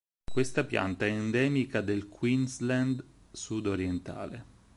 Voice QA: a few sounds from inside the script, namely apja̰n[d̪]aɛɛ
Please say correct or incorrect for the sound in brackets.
incorrect